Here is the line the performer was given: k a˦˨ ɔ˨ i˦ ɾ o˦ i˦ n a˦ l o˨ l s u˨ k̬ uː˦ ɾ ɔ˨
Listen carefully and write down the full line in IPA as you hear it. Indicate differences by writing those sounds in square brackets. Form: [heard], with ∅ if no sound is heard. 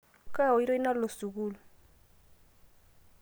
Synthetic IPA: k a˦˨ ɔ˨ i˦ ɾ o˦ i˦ n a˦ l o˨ [∅] s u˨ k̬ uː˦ [l] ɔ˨